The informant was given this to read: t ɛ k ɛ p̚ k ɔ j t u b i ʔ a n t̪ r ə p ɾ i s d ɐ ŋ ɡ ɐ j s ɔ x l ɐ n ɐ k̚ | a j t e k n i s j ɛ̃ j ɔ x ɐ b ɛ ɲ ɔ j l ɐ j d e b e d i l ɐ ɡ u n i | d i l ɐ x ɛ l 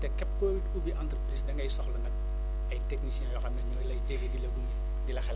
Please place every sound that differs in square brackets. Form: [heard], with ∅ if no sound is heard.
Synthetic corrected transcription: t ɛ k ɛ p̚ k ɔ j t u b i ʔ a n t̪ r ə p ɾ i s d ɐ ŋ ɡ ɐ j s ɔ x l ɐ n ɐ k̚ | [ɐ] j t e k n i s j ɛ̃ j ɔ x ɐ [m] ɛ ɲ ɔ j l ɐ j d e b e d i l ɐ ɡ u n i | d i l ɐ x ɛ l